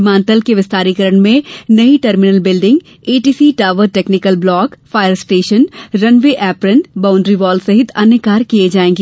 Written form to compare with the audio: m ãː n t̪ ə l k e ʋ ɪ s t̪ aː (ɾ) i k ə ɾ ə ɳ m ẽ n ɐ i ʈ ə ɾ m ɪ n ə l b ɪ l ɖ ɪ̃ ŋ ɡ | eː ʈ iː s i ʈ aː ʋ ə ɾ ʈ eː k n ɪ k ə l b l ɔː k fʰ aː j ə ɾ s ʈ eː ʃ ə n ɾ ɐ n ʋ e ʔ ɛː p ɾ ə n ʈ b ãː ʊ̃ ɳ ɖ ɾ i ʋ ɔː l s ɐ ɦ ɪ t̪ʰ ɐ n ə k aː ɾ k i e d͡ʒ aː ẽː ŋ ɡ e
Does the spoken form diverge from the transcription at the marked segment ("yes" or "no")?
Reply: no